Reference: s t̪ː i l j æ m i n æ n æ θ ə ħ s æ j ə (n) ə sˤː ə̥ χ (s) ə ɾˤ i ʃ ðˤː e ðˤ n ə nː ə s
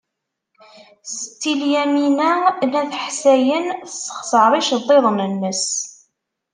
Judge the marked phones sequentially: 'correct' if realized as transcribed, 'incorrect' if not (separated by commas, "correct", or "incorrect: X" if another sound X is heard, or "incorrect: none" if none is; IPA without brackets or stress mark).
correct, correct